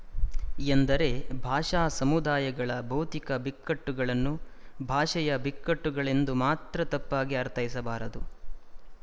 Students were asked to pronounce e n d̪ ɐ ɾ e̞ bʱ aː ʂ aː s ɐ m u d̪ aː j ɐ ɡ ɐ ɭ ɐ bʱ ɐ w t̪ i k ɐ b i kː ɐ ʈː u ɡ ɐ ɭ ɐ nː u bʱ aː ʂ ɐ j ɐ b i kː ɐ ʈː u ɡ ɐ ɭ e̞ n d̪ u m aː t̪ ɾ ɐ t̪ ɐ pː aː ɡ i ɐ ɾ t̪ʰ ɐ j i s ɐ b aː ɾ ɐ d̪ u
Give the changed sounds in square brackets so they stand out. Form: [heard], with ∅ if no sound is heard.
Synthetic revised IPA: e n d̪ ɐ ɾ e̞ bʱ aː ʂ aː s ɐ m u d̪ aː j ɐ ɡ ɐ ɭ ɐ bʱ ɐ w t̪ i k ɐ b i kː ɐ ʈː u ɡ ɐ ɭ ɐ nː u bʱ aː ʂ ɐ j ɐ b i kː ɐ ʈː u ɡ ɐ ɭ e̞ n d̪ u m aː t̪ ɾ ɐ t̪ ɐ pː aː ɡ i ɐ ɾ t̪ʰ ɐ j i s ɐ b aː ɾ ɐ d̪ u